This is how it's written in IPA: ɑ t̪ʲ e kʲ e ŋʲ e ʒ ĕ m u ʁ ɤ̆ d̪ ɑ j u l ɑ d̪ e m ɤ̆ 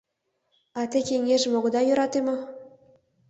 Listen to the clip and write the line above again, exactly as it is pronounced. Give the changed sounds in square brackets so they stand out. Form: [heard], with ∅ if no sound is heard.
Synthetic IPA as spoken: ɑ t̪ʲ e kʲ e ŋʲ e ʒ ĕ m [o] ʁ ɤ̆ d̪ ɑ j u [ɾ] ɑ [t̪] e m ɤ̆